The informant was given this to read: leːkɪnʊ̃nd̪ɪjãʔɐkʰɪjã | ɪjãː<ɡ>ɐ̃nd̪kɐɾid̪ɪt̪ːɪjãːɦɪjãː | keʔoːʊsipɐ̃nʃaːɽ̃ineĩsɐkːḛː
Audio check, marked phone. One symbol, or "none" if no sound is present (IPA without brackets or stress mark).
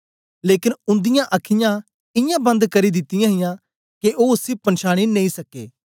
b